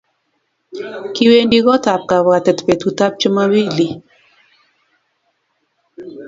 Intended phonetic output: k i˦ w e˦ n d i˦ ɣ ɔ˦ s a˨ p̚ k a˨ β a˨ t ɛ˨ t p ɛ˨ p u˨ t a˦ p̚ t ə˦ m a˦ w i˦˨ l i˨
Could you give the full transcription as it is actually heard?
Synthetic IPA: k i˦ w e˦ n d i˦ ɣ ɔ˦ t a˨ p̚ k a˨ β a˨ t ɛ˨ t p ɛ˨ t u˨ t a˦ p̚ t͡ʃ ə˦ m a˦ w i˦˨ l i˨